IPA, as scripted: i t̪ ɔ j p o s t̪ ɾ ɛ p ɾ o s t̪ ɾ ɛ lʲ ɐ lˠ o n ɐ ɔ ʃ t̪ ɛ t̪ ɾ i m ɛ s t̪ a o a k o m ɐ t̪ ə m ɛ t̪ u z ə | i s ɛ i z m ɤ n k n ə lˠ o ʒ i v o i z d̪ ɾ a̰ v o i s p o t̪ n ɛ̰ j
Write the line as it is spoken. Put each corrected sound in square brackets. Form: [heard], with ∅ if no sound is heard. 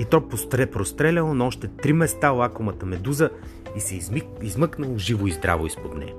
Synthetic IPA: i t̪ ɔ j p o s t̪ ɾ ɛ p ɾ o s t̪ ɾ ɛ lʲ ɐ lˠ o n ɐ ɔ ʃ t̪ ɛ t̪ ɾ i m ɛ s t̪ a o a k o m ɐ t̪ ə m ɛ [d̪] u z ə | i s ɛ i z m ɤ [∅] k n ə lˠ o ʒ i v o i z d̪ ɾ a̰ v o i s p o [d̪] n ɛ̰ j